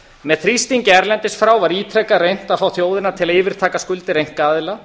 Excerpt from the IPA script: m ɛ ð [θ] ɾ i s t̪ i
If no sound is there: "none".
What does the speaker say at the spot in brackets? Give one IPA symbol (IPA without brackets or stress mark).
θ